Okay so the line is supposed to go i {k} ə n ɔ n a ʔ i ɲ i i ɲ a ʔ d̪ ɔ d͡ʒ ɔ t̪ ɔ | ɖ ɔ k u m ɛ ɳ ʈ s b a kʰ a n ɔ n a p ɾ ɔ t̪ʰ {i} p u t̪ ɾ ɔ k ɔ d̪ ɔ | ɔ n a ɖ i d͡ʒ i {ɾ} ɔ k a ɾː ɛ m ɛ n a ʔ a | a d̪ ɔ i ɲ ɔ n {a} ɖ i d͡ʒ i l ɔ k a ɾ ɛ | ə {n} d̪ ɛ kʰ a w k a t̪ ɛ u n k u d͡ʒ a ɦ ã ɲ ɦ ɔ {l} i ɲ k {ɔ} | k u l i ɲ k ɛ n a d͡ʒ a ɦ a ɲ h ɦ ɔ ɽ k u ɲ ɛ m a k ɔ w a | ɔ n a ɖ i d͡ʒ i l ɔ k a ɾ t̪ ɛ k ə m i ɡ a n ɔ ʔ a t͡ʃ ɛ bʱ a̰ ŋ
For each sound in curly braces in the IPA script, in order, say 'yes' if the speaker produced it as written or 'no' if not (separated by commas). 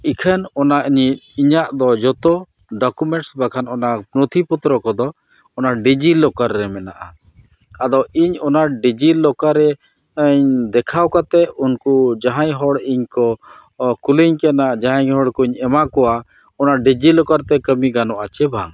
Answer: no, yes, no, yes, no, no, yes